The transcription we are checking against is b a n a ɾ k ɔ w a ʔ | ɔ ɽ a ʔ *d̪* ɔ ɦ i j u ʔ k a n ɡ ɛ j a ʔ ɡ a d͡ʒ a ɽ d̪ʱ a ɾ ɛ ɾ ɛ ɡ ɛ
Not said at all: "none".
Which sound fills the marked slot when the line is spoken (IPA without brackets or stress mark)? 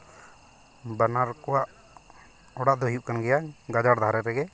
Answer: d̪